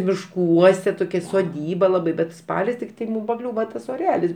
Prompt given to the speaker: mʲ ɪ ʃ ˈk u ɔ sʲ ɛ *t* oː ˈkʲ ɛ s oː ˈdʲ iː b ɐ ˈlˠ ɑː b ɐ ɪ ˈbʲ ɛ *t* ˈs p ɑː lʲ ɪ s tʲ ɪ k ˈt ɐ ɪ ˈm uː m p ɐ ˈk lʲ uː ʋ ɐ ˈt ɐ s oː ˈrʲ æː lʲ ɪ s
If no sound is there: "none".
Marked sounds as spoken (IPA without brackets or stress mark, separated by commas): t, t